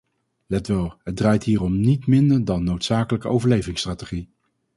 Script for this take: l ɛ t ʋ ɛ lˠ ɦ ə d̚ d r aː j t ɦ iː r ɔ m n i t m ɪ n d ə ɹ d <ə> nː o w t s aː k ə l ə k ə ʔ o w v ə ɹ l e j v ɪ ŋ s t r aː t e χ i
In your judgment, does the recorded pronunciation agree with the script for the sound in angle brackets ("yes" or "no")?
no